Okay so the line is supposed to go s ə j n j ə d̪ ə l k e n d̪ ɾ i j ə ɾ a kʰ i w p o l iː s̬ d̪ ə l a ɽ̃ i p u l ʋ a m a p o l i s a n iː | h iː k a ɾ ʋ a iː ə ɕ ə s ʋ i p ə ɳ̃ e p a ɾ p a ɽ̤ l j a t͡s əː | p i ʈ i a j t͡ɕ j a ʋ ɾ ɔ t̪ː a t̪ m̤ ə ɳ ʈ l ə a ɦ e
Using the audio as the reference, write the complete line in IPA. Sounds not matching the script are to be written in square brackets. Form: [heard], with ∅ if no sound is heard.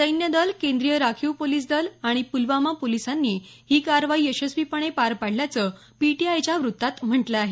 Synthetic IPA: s ə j n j ə d̪ ə l k e n d̪ ɾ i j ə ɾ a kʰ i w p o l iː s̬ d̪ ə l a ɽ̃ i p u l ʋ a m a p o l i s a [nː] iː | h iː k a ɾ ʋ a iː ə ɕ ə s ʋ i p ə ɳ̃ e p a ɾ p a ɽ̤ l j a t͡s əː | p i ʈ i a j t͡ɕ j a ʋ ɾ [u] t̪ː a t̪ m̤ ə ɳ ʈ l ə a ɦ e